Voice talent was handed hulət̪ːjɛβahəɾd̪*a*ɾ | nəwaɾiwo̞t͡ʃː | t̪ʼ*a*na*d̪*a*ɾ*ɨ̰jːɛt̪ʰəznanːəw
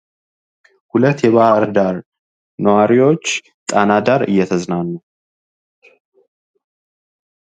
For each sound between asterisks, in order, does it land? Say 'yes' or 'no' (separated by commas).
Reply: yes, yes, yes, yes